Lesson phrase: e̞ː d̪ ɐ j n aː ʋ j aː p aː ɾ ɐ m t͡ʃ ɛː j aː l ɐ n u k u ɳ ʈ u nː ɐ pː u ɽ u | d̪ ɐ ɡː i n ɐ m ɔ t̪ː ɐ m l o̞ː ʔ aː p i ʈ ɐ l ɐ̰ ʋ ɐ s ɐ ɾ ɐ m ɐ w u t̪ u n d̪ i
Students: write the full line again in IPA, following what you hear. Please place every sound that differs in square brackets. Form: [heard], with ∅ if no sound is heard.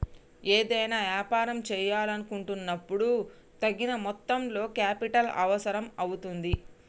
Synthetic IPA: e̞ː d̪ ɐ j n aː ʋ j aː p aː ɾ ɐ m t͡ʃ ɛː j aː l ɐ n u k u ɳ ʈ u nː ɐ pː u ɽ u | [t̪] ɐ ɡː i n ɐ m ɔ t̪ː ɐ m l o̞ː [k] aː p i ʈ ɐ l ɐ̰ ʋ ɐ s ɐ ɾ ɐ m ɐ w u t̪ u n d̪ i